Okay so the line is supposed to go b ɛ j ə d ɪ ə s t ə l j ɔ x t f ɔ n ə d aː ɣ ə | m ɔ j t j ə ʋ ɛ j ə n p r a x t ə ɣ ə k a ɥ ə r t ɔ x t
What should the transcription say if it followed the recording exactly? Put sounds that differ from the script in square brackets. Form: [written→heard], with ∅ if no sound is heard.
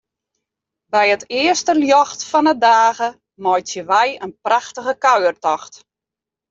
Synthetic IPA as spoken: b ɛ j ə [d→t] ɪ ə s t ə l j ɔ x t f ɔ n ə d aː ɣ ə | m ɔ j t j ə ʋ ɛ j ə n p r a x t ə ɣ ə k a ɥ ə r t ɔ x t

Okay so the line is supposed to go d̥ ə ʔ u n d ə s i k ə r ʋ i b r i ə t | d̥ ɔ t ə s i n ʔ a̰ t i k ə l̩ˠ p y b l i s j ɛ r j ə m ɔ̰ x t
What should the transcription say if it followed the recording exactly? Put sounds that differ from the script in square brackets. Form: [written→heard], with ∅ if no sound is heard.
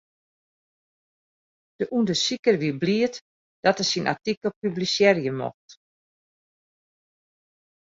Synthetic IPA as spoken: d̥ ə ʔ u n d ə s i k ə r ʋ i b [r→l] i ə t | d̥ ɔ t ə s i n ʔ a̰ t i k ə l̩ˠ p y b l i s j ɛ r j ə m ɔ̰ x t

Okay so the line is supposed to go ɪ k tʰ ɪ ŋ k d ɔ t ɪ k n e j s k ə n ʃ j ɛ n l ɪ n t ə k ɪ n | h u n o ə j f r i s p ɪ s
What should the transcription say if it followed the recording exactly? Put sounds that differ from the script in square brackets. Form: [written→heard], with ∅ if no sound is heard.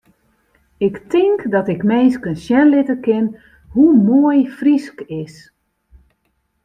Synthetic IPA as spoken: ɪ k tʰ ɪ ŋ k d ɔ t ɪ k [n→m] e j s k ə n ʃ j ɛ n l ɪ [n→∅] t ə k ɪ n | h u [n→m] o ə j f r i s [p→k] ɪ s

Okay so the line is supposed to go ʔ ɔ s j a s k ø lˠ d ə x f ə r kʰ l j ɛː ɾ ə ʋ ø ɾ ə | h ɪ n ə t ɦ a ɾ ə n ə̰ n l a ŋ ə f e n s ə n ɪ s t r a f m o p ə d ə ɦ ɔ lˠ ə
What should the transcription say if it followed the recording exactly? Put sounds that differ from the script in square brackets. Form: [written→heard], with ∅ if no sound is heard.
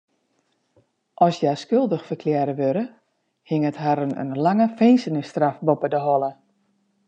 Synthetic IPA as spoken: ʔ ɔ s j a s k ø lˠ d ə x f ə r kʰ l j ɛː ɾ ə ʋ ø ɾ ə | h ɪ [n→ŋ] ə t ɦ a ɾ ə n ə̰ n l a ŋ ə f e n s ə n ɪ s t r a f [m→b] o p ə d ə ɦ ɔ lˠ ə

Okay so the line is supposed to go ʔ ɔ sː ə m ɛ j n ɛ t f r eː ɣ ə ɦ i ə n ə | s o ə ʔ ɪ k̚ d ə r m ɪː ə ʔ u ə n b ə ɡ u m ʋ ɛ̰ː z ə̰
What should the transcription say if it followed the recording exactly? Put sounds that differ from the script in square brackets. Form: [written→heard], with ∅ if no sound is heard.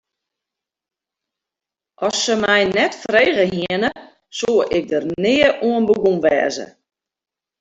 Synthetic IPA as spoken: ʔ ɔ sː ə m ɛ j n ɛ t f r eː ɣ ə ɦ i ə n ə | s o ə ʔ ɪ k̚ d ə r [m→n] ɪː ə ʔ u ə n b ə ɡ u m ʋ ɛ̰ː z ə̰

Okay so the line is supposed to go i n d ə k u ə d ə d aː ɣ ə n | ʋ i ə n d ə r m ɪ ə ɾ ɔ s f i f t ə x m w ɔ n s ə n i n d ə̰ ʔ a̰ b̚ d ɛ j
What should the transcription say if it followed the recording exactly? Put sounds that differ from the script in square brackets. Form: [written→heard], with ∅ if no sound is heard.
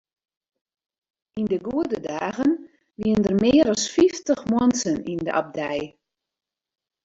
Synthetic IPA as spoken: i n d ə [k→ɡ] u ə d ə d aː ɣ ə n | ʋ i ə n d ə r m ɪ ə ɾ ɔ s f i f t ə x m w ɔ n s ə n i n d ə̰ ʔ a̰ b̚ d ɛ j

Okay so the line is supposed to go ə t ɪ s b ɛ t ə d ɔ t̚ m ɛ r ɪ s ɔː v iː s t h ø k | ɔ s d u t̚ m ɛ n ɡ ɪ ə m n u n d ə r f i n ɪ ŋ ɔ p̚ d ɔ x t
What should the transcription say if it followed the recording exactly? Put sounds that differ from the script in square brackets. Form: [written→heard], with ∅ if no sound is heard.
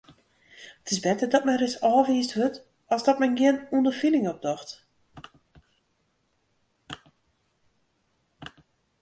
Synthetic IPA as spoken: ə t ɪ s b ɛ t ə d ɔ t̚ m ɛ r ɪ s ɔː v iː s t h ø [k→t] | ɔ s d [u→ɔ] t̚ m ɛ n ɡ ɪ ə [m→∅] n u n d ə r f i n ɪ ŋ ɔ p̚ d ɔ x t

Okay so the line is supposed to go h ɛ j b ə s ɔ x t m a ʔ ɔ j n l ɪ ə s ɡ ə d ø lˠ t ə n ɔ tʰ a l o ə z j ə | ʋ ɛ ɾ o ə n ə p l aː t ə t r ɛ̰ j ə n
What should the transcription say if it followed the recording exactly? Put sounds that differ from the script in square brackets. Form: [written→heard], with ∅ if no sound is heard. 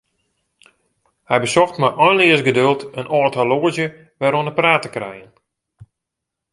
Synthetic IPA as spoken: h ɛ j b ə s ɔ x t m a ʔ ɔ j n l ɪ ə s ɡ ə d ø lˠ t ə n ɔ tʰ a l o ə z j ə | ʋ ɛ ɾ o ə n ə p [l→r] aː t ə [t→k] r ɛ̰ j ə n

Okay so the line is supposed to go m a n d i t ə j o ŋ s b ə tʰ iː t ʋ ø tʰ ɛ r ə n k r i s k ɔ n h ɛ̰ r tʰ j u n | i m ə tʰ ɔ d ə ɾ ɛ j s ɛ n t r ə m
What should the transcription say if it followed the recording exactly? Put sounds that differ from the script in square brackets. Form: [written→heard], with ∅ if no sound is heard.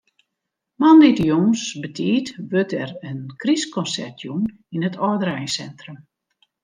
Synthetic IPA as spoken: m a n d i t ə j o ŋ s b ə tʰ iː t ʋ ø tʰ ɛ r ə n k r i s k ɔ n [h→s] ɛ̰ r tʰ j u n | i [m→n] ə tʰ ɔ d ə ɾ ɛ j s ɛ n t r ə m

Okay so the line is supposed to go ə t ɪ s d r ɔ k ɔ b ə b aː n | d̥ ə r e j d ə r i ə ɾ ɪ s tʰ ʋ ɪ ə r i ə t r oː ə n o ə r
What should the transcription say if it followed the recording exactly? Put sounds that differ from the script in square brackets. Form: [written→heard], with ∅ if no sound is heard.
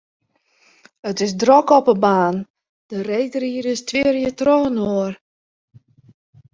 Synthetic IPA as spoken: ə t ɪ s d r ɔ k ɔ [b→p] ə b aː n | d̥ ə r e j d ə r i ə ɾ ɪ s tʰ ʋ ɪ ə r [i→j] ə t r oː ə n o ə r

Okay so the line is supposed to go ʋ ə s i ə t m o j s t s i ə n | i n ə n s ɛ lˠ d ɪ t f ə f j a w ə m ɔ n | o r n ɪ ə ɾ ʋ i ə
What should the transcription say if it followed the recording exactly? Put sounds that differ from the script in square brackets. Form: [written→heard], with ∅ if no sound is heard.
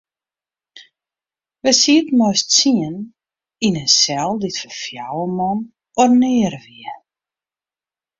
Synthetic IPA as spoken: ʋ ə s i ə t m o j s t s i ə n | i n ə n s ɛ lˠ d [ɪ→i] t f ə f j a w ə m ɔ n | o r n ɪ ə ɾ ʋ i ə

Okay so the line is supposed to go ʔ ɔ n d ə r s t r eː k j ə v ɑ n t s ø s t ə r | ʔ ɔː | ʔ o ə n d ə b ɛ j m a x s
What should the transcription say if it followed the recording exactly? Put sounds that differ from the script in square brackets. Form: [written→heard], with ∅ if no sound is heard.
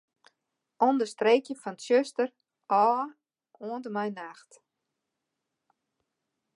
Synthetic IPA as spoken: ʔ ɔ n d ə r s t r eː k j ə [v→f] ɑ n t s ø s t ə r | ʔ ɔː | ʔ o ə n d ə [b→m] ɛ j [m→n] a x [s→t]

